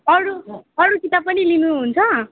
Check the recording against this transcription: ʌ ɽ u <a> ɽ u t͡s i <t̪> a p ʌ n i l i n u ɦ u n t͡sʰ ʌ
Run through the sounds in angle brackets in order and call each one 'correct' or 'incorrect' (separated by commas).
incorrect, correct